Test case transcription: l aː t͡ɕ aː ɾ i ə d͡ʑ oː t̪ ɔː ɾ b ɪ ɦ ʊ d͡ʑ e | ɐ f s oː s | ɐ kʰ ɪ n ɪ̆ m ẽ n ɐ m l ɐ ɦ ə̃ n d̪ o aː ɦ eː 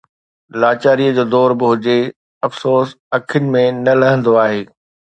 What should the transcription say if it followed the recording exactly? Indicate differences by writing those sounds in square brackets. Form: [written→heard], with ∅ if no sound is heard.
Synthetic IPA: l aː t͡ɕ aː ɾ i ə d͡ʑ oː [t̪→d̪] ɔː ɾ b ɪ ɦ ʊ d͡ʑ e | ɐ f s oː s | ɐ kʰ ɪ n ɪ̆ m ẽ n ɐ [m→∅] l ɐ ɦ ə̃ n d̪ o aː ɦ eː